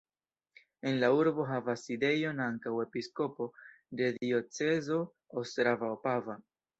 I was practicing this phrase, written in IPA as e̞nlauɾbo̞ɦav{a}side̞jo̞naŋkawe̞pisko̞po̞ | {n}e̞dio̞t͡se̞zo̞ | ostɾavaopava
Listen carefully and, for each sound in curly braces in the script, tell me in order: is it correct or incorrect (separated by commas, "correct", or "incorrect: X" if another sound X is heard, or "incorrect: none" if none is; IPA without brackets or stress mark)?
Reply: correct, incorrect: d